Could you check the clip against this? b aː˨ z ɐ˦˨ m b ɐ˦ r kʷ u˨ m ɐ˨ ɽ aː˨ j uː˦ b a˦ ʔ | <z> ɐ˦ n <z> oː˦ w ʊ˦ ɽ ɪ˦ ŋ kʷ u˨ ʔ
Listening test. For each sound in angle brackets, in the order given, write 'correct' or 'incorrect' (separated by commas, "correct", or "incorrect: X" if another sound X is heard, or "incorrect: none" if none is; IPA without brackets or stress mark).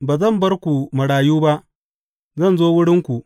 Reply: correct, correct